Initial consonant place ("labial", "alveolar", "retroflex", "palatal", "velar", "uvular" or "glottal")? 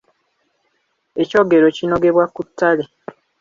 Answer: palatal